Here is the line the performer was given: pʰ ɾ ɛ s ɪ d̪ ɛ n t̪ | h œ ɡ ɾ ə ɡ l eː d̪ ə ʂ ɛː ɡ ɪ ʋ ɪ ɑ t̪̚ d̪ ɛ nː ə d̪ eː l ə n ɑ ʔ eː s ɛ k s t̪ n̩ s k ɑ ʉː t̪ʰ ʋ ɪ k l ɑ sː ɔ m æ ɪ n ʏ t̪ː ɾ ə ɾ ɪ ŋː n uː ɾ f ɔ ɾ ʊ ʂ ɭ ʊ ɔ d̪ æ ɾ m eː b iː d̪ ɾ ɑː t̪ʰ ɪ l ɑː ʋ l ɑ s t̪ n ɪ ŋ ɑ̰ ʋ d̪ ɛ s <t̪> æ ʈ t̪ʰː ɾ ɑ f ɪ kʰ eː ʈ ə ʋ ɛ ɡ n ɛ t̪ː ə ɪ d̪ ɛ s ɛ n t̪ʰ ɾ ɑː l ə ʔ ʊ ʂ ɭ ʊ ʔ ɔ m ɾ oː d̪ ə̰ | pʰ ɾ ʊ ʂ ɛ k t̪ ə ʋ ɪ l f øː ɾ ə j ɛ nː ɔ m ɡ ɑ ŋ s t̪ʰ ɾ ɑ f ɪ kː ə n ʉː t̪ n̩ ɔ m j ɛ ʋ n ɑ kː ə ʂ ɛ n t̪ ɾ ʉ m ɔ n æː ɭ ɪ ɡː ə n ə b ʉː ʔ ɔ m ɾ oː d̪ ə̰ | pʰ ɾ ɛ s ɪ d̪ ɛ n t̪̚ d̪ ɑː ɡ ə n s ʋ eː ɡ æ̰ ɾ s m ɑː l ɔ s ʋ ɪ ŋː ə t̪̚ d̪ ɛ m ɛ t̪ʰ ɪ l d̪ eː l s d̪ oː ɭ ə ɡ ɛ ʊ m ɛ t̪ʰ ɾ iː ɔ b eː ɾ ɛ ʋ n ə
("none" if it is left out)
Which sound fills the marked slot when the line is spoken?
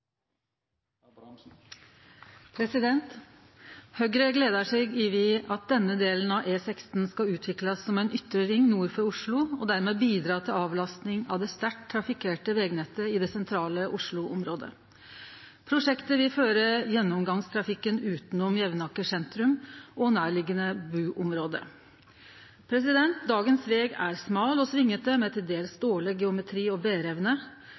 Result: t̪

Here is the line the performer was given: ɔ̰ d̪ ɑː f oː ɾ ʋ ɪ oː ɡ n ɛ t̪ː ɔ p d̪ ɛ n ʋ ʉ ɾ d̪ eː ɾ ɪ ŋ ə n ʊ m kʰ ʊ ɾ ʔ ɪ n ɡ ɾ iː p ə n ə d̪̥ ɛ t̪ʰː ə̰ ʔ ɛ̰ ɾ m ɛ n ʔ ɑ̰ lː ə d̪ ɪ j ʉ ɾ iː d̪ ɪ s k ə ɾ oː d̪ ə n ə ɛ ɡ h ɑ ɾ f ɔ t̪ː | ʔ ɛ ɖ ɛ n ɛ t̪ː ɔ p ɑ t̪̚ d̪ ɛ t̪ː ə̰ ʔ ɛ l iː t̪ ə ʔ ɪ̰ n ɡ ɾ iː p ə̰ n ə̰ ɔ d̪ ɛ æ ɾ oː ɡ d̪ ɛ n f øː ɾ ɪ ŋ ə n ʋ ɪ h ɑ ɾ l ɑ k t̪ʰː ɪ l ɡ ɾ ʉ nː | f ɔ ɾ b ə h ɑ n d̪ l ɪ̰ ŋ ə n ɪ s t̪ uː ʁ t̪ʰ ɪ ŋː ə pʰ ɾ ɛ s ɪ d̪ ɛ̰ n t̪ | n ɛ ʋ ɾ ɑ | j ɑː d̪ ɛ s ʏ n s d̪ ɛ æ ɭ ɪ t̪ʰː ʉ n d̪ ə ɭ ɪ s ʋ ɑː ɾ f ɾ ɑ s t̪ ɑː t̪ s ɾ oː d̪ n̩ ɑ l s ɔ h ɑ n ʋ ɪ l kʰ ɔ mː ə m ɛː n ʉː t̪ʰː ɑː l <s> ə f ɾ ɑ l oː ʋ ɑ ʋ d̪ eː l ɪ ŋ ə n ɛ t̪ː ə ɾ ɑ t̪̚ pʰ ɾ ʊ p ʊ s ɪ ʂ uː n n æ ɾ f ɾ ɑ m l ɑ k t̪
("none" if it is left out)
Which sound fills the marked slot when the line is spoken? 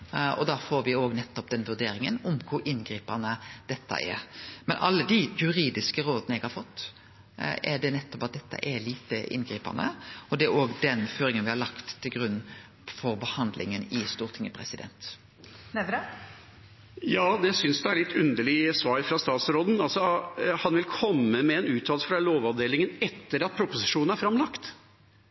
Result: s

